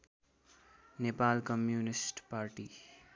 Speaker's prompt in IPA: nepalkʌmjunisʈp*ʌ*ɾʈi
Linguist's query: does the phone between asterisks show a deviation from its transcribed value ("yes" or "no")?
yes